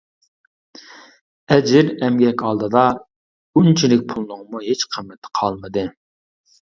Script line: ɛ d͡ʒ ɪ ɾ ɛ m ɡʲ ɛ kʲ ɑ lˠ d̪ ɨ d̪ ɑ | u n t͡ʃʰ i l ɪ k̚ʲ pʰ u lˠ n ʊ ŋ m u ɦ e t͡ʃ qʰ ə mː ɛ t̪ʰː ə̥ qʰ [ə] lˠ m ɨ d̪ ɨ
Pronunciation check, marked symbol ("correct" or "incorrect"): incorrect